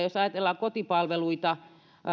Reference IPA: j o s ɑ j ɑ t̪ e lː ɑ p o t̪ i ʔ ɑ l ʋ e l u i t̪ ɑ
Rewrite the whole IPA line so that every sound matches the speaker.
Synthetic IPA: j o s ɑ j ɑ t̪ e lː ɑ k o t̪ i p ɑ l ʋ e l u i t̪ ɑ